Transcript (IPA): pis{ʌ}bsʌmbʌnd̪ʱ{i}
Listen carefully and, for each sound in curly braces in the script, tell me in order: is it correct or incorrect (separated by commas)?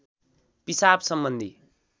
incorrect, correct